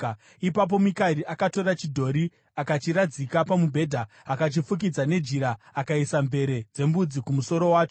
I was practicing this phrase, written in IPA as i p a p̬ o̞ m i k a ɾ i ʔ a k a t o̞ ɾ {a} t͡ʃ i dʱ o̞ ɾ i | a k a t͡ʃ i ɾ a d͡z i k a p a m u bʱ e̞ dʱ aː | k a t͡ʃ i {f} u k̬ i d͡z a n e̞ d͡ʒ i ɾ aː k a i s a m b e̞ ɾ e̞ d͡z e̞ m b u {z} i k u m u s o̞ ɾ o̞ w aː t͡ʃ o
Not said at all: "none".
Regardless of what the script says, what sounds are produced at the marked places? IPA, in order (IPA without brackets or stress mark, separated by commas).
a, f, d͡z